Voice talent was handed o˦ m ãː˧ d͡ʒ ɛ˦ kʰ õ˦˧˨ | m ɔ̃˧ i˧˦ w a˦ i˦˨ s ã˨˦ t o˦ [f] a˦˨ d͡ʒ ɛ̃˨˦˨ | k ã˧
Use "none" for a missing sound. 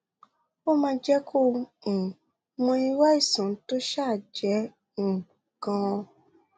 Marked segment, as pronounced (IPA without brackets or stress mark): ʃ